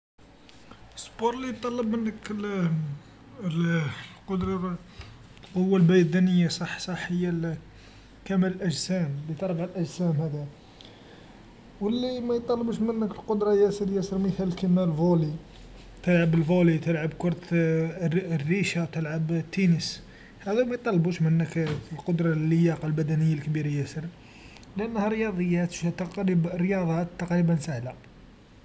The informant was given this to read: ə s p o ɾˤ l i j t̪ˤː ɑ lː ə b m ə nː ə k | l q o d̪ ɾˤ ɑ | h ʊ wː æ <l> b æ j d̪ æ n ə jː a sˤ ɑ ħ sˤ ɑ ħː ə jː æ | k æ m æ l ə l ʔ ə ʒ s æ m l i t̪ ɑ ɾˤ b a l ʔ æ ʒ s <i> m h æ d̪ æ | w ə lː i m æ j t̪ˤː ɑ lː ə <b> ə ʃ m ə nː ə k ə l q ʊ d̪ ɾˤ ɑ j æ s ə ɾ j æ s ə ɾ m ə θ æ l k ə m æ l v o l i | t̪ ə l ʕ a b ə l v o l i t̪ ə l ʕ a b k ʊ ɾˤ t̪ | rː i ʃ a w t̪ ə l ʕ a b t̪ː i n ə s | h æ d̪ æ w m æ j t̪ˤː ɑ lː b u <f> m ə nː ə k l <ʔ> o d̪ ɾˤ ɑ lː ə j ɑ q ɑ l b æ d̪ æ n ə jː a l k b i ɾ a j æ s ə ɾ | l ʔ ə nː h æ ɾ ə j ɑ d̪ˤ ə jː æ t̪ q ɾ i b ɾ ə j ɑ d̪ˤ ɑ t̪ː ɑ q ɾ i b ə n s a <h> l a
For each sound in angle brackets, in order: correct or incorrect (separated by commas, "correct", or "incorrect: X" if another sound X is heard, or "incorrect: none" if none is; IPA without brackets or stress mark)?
correct, incorrect: æ, correct, incorrect: ʃ, incorrect: q, correct